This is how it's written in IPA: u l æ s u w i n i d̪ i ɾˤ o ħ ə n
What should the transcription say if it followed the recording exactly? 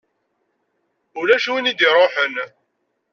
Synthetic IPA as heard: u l æ ʃ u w i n i d̪ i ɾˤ o ħ ə n